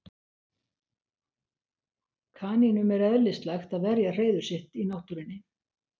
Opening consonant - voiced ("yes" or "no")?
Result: no